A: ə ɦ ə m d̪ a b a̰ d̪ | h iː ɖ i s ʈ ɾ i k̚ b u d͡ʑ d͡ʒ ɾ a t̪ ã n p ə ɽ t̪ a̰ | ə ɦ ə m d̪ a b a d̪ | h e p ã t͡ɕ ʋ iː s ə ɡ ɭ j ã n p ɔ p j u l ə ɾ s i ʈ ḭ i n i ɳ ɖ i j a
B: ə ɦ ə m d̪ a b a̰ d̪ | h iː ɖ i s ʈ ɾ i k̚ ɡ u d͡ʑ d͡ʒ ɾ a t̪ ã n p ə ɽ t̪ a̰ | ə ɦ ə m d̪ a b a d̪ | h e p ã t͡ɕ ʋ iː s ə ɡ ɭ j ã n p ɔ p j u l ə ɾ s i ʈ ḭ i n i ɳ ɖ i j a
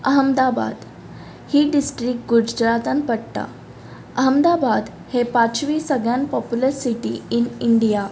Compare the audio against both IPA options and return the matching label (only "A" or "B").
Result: B